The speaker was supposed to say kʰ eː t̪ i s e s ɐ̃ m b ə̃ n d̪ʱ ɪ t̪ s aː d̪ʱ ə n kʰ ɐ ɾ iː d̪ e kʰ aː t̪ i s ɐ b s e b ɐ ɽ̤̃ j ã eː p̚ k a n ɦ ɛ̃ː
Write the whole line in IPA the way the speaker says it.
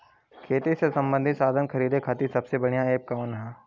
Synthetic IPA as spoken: kʰ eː t̪ i s e s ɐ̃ m b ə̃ n d̪ʱ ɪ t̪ s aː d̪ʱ ə n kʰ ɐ ɾ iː d̪ e kʰ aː t̪ i s ɐ b s e b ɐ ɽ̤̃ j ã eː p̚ k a n ɦ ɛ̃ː